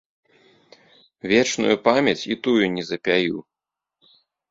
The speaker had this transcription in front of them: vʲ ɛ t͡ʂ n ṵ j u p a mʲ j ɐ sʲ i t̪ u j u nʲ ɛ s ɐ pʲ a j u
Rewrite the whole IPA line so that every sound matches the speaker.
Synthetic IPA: vʲ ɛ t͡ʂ n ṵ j u p a mʲ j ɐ t͡sʲ i t̪ u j u nʲ ɛ z ɐ pʲ a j u